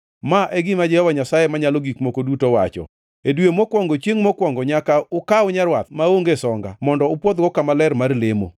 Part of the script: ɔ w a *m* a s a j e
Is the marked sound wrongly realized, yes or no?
yes